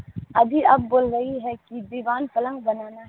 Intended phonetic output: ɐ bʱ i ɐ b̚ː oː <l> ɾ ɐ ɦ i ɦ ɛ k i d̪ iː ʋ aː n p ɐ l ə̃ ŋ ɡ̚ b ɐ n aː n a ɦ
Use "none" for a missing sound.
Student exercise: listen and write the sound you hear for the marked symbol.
l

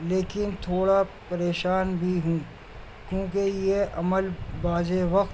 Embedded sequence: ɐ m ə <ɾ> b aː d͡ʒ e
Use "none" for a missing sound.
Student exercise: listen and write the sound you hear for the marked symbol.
l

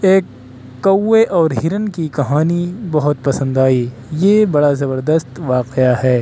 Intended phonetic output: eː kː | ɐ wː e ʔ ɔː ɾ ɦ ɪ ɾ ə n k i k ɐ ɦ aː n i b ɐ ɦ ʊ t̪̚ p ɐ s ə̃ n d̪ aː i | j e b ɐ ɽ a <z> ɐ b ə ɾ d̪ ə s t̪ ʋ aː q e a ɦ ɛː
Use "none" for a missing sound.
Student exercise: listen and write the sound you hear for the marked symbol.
z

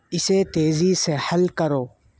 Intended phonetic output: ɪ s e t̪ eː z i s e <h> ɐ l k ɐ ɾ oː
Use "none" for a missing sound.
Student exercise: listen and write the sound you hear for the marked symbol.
h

